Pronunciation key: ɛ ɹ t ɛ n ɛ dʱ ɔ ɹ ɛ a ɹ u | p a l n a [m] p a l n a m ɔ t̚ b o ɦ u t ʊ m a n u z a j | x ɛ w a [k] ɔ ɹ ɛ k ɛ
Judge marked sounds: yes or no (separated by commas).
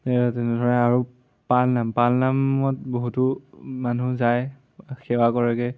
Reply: yes, yes